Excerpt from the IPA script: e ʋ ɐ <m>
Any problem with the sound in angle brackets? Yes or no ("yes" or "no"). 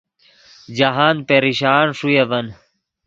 yes